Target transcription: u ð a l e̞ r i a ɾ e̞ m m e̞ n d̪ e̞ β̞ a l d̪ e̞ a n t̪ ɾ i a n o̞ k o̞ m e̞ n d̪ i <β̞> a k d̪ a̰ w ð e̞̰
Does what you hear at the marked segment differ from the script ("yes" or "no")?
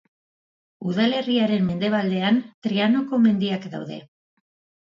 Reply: yes